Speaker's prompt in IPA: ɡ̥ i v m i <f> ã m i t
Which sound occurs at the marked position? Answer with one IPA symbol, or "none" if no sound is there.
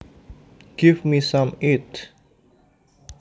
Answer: s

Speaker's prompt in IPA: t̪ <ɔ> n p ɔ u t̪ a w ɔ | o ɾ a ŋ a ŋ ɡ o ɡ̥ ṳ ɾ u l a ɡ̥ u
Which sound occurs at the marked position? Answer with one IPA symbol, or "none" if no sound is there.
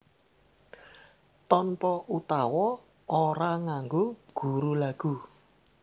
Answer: ɔ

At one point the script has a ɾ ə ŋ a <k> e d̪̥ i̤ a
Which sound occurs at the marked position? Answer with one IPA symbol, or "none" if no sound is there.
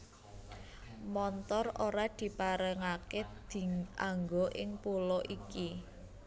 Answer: k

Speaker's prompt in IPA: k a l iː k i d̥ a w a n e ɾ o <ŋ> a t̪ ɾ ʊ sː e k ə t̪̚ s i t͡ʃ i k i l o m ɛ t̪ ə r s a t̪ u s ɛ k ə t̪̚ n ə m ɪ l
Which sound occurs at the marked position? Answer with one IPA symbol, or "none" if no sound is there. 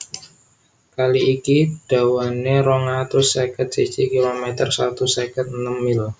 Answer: ŋ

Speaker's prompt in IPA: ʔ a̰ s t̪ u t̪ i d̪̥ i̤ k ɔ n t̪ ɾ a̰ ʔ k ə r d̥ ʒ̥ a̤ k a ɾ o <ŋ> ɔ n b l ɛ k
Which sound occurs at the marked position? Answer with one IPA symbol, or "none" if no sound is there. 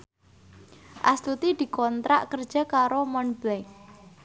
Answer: m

